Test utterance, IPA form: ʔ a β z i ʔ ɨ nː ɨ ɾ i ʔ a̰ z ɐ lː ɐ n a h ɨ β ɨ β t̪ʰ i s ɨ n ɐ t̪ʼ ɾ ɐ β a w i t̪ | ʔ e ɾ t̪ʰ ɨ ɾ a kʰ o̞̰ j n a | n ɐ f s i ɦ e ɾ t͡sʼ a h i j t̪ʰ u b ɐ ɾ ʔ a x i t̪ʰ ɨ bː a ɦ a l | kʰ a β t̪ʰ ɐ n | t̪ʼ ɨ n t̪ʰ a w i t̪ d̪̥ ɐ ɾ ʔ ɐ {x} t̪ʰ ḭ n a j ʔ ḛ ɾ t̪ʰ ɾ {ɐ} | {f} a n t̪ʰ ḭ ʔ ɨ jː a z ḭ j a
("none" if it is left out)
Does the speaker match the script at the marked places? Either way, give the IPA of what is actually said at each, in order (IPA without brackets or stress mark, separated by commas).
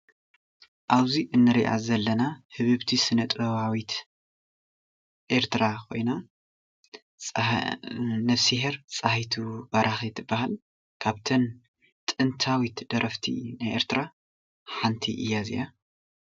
f, a, ħ